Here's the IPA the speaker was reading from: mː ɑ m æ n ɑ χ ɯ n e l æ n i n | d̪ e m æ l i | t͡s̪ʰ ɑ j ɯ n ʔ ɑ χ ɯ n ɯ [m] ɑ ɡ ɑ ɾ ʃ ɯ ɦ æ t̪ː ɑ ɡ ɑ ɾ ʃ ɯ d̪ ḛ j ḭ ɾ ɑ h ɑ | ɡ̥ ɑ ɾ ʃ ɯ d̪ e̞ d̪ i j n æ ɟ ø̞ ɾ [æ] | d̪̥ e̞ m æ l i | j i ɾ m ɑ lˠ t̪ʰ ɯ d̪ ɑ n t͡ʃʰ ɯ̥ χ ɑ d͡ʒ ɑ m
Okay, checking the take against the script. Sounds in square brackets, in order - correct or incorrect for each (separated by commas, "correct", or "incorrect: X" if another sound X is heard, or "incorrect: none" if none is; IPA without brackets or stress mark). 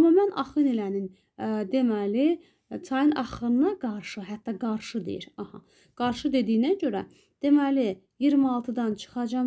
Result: incorrect: n, correct